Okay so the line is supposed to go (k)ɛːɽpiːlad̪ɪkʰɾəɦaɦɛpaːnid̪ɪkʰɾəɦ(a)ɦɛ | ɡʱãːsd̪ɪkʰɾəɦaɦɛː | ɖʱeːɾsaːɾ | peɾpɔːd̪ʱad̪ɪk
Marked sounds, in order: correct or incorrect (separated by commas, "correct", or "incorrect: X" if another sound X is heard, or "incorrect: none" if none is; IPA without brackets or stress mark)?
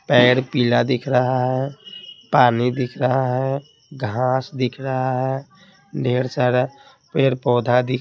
incorrect: p, correct